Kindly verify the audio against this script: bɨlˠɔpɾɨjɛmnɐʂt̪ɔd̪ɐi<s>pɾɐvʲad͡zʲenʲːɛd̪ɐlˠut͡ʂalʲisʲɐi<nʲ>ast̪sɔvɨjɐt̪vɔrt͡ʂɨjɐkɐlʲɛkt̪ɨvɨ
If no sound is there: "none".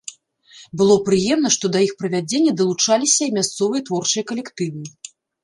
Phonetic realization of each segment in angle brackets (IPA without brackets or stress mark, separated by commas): x, mʲ